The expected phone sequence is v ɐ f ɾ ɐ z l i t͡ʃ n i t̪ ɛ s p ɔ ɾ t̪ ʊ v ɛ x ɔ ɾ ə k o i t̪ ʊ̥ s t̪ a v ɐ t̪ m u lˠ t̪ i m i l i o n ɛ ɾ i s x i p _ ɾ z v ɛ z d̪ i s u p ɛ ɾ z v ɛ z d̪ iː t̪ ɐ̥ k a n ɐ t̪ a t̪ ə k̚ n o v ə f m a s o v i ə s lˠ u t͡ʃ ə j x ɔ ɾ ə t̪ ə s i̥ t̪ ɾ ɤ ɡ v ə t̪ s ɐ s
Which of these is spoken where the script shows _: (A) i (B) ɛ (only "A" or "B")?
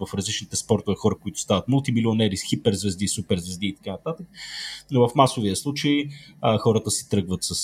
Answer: B